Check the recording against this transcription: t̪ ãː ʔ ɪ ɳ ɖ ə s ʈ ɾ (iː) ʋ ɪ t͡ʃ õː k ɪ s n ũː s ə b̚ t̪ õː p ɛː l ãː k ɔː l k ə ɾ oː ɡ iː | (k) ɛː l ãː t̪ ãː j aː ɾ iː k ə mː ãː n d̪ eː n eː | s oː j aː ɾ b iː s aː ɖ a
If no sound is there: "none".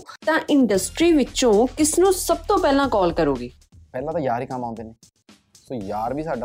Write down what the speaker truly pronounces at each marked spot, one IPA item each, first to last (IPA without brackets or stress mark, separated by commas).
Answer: iː, p